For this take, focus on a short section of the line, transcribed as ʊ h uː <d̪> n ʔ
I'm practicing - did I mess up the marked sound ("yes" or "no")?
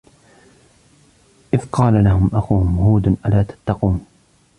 no